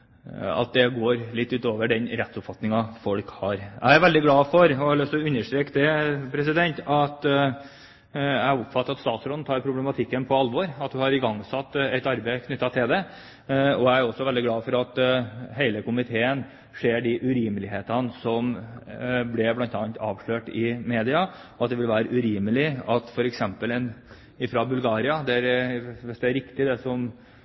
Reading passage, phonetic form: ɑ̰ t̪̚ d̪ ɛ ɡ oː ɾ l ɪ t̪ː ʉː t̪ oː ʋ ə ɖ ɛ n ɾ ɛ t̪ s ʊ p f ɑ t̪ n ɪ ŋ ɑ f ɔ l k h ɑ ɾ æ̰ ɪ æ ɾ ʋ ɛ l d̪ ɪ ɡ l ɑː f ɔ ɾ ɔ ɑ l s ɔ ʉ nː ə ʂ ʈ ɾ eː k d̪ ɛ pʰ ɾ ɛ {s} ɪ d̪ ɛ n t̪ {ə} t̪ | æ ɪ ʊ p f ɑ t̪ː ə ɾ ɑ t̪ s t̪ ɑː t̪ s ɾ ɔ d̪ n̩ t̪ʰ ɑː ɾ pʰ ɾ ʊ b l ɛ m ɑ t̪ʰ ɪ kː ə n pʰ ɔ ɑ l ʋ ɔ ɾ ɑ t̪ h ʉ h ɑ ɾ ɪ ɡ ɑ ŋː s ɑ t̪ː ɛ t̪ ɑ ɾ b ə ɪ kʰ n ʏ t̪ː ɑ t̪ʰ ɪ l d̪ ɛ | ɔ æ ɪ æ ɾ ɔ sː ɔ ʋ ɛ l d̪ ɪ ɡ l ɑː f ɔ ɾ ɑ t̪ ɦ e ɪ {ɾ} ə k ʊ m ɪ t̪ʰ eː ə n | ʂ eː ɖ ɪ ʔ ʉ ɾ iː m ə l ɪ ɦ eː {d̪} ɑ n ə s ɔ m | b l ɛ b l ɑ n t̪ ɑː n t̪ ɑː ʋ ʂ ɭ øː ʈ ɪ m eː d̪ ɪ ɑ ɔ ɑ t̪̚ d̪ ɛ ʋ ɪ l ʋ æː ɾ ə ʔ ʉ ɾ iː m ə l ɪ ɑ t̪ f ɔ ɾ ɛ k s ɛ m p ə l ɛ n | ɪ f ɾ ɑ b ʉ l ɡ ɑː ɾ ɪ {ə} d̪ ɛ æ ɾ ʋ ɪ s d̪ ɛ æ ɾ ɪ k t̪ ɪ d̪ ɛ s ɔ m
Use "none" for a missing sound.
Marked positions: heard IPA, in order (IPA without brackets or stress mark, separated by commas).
s, ɑ, l, t̪, ɑ